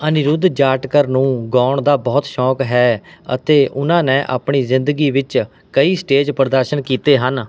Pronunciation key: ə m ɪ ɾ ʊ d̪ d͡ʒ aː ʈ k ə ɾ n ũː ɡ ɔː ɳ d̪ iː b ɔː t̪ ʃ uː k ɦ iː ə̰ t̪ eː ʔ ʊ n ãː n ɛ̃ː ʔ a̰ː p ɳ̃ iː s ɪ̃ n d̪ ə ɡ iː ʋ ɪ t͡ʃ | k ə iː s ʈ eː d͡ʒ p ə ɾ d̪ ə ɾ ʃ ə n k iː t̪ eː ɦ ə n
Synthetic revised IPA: ə n ɪ ɾ ʊ d̪ d͡ʒ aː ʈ k ə ɾ n ũː ɡ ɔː ɳ d̪ aː b ɔː t̪ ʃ ɔː k ɦ ɛː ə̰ t̪ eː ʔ ʊ n ãː n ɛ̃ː ʔ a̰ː p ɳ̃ iː z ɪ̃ n d̪ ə ɡ iː ʋ ɪ t͡ʃ | k ə iː s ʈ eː d͡ʒ p ə ɾ d̪ ə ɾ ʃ ə n k iː t̪ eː ɦ ə n